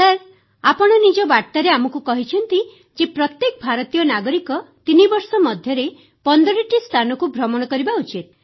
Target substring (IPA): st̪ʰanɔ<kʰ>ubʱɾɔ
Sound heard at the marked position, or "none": k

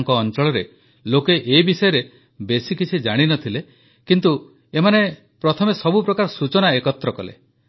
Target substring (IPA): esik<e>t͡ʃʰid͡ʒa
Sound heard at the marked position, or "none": i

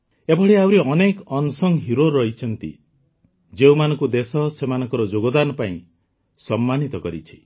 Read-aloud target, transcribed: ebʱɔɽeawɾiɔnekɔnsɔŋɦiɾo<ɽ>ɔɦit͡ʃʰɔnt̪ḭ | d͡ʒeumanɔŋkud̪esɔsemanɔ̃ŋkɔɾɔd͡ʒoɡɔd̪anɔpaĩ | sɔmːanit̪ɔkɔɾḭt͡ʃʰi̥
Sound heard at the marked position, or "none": ɾ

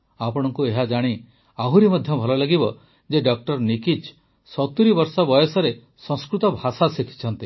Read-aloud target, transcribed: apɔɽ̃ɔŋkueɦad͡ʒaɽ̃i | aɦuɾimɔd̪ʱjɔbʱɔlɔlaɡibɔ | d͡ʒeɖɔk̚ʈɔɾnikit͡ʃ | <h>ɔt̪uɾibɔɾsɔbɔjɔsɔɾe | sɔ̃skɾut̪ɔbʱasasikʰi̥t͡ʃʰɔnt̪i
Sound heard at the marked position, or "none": s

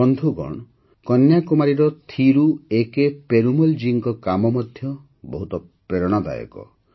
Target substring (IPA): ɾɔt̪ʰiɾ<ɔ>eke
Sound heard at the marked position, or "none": u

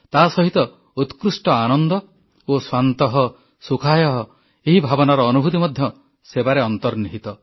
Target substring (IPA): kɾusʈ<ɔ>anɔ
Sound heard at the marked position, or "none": ɔ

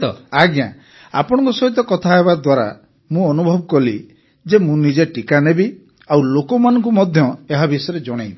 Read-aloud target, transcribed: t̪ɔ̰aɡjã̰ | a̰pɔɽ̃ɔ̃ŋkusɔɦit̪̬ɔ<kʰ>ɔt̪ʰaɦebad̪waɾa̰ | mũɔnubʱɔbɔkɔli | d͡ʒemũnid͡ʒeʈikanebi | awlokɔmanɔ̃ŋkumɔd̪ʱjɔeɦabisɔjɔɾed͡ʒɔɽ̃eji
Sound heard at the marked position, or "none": k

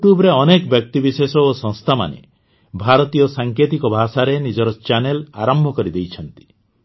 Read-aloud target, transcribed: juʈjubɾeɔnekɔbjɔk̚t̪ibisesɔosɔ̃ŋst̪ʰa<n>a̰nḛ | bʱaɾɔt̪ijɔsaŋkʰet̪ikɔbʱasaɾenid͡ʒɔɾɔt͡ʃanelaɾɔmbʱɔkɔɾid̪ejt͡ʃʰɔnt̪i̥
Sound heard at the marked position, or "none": m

